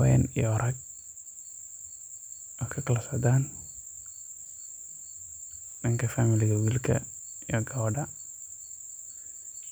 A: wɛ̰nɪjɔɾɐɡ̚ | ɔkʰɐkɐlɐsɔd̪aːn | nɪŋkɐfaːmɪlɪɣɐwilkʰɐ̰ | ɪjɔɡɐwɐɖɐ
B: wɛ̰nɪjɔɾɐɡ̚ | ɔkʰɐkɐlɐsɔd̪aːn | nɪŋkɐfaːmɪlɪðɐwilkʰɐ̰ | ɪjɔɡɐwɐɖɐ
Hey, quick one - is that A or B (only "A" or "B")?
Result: A